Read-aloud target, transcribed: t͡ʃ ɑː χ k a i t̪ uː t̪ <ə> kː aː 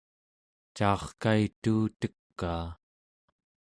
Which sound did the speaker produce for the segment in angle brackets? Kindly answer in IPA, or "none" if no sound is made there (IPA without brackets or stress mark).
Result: ə